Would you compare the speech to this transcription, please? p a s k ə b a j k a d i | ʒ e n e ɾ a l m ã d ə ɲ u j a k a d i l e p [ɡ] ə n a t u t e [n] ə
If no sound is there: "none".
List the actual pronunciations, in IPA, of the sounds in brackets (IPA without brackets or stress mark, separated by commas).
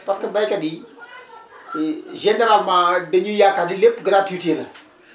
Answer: ɡ, n